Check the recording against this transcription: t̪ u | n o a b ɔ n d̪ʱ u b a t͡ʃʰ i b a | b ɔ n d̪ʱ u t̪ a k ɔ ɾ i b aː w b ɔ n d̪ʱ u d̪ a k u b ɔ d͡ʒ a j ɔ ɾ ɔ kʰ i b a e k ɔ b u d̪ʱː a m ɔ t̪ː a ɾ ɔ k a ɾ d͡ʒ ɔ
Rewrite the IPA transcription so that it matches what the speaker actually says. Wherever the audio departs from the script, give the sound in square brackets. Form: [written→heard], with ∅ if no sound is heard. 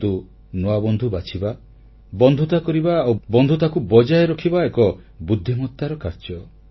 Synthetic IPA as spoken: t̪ u | n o a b ɔ n d̪ʱ u b a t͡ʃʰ i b a | b ɔ n d̪ʱ u t̪ a k ɔ ɾ i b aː w b ɔ n d̪ʱ u [d̪→t̪] a k u b ɔ d͡ʒ a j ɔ ɾ ɔ kʰ i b a e k ɔ b u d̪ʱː [a→i] m ɔ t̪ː a ɾ ɔ k a ɾ d͡ʒ ɔ